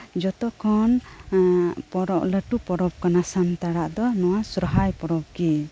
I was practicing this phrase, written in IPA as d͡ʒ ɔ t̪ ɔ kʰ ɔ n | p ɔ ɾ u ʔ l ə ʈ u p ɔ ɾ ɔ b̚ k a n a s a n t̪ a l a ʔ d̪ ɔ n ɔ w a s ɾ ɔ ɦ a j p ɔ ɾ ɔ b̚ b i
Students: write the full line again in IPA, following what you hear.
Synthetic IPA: d͡ʒ ɔ t̪ ɔ kʰ ɔ n | p ɔ ɾ ɔ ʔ l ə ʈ u p ɔ ɾ ɔ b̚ k a n a s a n t̪ a ɽ a ʔ d̪ ɔ n ɔ w a s ɾ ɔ ɦ a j p ɔ ɾ ɔ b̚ ɡ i

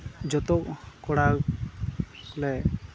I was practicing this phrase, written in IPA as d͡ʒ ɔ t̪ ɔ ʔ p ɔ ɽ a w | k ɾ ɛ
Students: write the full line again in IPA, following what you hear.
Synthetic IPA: d͡ʒ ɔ t̪ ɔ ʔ k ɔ ɽ a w | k l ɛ

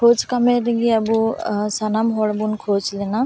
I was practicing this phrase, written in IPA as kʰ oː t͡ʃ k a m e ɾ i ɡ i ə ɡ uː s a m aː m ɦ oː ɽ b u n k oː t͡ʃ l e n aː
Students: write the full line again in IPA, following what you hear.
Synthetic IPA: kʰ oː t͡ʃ k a m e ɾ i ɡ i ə b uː s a n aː m ɦ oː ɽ b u n kʰ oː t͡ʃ l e n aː

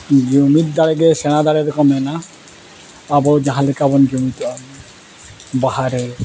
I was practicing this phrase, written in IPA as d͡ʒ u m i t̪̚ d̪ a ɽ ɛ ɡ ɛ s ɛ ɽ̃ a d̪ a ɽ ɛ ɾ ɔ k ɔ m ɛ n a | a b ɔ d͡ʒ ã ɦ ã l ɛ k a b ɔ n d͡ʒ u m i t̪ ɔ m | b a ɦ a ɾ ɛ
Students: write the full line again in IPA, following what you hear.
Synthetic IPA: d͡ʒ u m i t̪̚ d̪ a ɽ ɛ ɡ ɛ s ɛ ɽ̃ a d̪ a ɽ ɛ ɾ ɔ k ɔ m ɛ n a | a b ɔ d͡ʒ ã ɦ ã l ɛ k a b ɔ n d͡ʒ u m i t̪ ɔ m | b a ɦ a ɾ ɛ

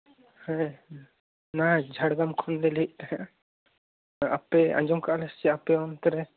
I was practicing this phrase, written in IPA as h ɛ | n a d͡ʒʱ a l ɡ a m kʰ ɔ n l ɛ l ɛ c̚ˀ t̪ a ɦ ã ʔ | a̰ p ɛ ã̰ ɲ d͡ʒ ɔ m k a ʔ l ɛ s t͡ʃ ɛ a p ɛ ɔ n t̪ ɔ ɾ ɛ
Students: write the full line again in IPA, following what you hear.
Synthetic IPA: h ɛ | n a d͡ʒʱ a ɽ ɡ a m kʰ ɔ n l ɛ l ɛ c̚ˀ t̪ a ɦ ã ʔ | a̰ p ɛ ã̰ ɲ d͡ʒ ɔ m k a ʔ l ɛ s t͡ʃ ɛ a p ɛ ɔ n t̪ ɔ ɾ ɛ

